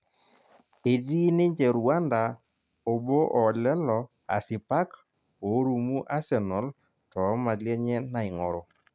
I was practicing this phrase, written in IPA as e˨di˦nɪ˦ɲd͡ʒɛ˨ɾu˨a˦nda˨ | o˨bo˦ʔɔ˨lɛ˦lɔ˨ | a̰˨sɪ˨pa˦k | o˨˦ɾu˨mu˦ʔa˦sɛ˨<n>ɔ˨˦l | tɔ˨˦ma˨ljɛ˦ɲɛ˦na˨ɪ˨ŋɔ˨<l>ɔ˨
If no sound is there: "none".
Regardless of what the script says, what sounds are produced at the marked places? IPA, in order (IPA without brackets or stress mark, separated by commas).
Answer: n, ɾ